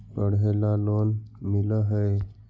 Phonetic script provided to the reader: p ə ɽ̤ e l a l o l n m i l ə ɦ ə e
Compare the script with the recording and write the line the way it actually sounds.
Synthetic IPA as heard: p ə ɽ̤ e l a l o n m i l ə ɦ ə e